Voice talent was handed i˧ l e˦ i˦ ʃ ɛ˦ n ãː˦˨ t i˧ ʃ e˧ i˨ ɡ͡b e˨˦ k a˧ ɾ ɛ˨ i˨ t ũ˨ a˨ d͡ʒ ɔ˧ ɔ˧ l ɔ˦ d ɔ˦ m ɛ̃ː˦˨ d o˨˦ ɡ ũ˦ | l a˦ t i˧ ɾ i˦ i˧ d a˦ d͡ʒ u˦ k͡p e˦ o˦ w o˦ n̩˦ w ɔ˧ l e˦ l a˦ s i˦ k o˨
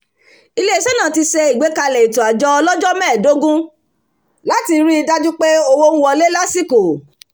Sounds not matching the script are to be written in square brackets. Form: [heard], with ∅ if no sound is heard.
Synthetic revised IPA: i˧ l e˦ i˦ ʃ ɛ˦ n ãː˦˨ t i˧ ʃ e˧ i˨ ɡ͡b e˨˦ k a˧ [l] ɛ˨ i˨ t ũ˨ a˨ d͡ʒ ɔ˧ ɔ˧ l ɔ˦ [d͡ʒ] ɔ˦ m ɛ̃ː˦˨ d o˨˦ ɡ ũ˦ | l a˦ t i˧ ɾ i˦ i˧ d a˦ d͡ʒ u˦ k͡p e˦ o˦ w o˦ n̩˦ w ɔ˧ l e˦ l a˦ s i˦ k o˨